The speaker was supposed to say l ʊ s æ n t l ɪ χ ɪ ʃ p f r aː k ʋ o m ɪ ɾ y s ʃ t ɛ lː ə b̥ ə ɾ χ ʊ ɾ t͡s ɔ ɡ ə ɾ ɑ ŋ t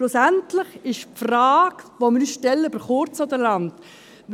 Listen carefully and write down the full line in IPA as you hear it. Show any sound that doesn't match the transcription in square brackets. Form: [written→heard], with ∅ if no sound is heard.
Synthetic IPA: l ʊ s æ n t l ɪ χ ɪ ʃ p f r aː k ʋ o m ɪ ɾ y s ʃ t ɛ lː ə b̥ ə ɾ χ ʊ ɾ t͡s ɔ [ɡ→d] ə [ɾ→l] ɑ [ŋ→n] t